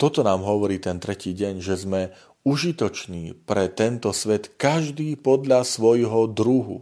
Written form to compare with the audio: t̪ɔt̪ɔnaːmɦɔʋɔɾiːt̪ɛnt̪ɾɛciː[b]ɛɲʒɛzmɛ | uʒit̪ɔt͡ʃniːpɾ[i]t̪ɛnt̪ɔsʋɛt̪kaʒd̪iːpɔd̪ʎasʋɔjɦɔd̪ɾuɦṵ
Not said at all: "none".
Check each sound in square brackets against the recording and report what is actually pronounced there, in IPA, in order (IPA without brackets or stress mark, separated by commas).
ɟ, ɛ